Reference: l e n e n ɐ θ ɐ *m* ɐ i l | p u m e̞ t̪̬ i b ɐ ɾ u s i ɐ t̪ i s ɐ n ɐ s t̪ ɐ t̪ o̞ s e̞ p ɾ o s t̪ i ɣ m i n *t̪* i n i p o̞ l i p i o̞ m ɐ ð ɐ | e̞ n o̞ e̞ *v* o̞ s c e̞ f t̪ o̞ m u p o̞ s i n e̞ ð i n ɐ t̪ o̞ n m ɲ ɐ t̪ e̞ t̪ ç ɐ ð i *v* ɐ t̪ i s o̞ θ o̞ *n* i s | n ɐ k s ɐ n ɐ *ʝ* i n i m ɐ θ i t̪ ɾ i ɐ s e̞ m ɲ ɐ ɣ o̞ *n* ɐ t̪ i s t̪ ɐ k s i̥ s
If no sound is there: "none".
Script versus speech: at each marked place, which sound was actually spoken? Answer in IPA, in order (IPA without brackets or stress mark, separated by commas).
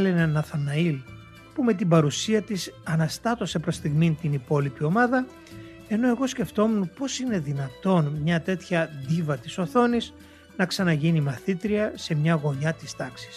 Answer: n, t̪, ɣ, v, n, ʝ, ɲ